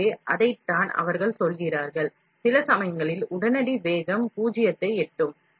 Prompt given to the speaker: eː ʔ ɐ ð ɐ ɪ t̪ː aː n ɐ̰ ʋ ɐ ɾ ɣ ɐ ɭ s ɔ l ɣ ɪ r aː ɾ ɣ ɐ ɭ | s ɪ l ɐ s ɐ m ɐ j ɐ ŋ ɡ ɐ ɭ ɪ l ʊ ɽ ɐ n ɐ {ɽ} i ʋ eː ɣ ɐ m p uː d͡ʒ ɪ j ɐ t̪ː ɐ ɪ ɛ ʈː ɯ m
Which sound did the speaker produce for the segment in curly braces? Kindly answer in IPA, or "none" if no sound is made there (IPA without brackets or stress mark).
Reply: ɽ